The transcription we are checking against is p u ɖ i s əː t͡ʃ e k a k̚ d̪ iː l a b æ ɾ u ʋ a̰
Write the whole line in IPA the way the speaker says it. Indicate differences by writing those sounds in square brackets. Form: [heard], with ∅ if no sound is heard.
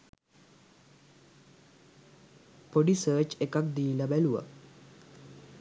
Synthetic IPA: p [o] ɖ i s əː t͡ʃ e k a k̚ d̪ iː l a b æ [l] u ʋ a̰